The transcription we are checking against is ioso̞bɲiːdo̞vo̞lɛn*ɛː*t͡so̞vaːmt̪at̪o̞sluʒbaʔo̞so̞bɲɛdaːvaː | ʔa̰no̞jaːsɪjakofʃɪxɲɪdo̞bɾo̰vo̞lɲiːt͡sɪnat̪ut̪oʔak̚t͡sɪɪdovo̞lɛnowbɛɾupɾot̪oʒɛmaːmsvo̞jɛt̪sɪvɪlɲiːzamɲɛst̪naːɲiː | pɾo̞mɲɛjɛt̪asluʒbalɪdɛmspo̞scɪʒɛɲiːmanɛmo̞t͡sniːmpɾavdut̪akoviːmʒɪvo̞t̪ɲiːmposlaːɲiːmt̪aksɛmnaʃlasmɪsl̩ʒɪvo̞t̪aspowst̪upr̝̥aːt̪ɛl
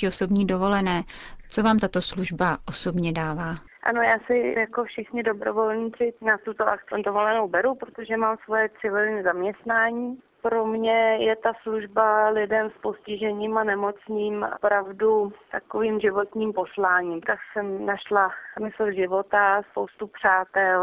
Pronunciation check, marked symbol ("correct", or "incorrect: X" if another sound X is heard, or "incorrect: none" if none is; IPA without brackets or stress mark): correct